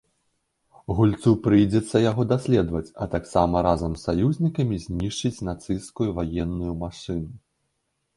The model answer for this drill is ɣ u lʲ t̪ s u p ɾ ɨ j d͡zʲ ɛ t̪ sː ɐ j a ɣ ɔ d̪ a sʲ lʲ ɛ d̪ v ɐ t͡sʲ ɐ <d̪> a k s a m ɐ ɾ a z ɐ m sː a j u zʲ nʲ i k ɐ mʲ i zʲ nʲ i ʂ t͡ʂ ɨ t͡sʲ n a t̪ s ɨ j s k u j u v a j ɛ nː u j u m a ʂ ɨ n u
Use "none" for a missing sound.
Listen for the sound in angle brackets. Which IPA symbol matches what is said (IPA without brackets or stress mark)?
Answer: t̪